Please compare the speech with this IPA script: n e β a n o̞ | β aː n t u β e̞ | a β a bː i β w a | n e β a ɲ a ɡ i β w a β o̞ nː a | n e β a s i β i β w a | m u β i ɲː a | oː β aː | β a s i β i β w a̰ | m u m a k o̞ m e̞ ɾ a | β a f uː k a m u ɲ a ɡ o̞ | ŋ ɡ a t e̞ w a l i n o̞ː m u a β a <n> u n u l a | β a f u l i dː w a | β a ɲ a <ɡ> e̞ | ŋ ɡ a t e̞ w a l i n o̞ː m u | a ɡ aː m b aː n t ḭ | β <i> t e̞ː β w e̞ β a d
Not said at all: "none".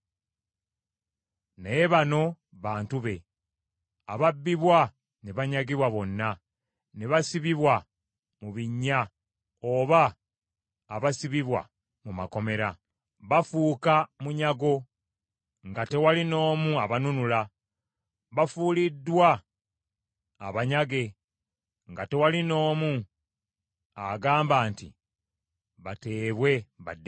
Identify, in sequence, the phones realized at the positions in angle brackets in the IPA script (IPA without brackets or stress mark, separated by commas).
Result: n, ɡ, a